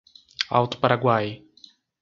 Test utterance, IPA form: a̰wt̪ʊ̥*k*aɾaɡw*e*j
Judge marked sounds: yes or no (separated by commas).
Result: no, no